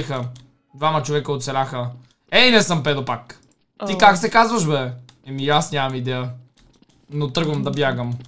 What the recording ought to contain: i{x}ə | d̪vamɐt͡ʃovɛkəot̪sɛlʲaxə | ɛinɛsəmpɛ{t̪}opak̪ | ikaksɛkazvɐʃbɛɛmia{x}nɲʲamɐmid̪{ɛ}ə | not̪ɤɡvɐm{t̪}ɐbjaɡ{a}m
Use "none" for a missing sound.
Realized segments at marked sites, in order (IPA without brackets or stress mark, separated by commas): x, d̪, s, ɛ, d̪, ə